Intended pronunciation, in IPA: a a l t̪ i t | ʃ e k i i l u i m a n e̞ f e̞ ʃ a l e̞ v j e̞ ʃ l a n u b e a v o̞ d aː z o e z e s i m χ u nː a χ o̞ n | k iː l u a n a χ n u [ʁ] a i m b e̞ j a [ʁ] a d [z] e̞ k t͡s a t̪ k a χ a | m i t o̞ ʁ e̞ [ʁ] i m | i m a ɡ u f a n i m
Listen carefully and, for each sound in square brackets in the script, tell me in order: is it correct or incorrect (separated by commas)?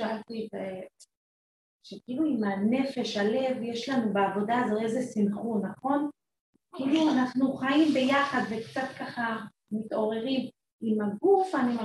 incorrect, incorrect, incorrect, correct